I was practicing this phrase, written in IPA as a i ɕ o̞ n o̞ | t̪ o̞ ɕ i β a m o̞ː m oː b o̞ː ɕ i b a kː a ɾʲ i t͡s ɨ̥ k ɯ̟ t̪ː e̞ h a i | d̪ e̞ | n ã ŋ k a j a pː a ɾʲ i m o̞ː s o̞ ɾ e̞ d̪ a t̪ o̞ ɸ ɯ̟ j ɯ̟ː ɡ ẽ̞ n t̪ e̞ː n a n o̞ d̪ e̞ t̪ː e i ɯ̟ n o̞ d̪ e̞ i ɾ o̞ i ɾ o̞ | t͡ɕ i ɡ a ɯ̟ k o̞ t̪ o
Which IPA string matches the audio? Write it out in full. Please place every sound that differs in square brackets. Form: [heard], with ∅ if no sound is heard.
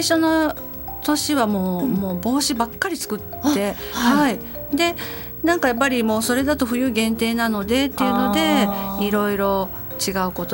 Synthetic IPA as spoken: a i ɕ o̞ n o̞ | t̪ o̞ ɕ i β a m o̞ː m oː b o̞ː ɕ i b a kː a ɾʲ i t͡s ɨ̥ k ɯ̟ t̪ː e̞ h a i | d̪ e̞ | n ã ŋ k a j a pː a ɾʲ i m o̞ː s o̞ ɾ e̞ d̪ a t̪ o̞ ɸ ɯ̟ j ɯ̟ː ɡ ẽ̞ n t̪ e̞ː n a n o̞ d̪ e̞ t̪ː e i ɯ̟ n o̞ d̪ e̞ i ɾ o̞ i ɾ o̞ | t͡ɕ i ɡ a ɯ̟ k o̞ t̪ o